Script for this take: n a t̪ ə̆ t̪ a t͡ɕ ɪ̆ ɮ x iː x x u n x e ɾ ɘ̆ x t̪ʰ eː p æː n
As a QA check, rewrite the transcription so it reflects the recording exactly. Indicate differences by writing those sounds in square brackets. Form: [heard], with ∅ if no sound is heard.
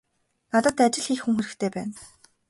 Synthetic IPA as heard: n a t̪ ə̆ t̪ a t͡ɕ ɪ̆ ɮ x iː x x u [ŋ] x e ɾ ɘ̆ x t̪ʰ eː p æː n